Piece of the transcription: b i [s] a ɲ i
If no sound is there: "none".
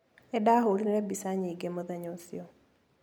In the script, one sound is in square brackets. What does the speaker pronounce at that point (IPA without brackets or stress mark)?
s